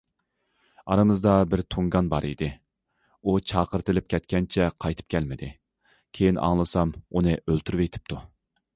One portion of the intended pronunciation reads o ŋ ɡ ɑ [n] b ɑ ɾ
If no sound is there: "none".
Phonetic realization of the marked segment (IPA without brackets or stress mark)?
n